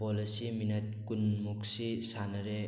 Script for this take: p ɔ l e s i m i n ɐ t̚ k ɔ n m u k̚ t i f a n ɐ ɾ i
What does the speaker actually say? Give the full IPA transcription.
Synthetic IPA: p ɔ l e s i m i n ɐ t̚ k u n m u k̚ s i s a n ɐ ɾ e